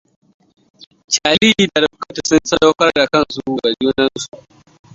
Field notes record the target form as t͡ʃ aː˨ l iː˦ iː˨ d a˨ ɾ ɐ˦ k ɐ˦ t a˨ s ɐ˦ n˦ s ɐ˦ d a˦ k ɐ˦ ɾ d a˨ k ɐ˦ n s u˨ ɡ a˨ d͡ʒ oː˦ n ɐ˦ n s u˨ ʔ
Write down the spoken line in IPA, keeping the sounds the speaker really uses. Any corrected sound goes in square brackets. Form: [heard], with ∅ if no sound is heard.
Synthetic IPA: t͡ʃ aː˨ l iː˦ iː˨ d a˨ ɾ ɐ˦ k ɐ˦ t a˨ s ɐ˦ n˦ s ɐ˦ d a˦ k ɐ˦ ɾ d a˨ k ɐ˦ n s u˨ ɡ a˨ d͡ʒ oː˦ n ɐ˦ n s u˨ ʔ